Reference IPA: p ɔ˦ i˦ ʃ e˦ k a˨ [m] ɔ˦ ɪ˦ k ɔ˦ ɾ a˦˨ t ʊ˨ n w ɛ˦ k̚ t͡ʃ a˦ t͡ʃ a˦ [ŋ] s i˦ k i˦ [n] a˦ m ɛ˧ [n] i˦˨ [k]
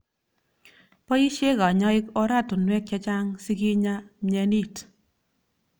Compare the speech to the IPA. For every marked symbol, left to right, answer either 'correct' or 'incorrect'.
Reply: incorrect, correct, incorrect, correct, incorrect

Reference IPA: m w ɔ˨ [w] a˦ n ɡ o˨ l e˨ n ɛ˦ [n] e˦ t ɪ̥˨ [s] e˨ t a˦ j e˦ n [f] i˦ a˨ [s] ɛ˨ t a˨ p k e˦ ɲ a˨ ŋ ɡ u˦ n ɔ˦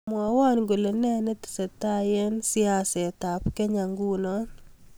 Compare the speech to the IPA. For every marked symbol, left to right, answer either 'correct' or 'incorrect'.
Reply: correct, correct, correct, incorrect, correct

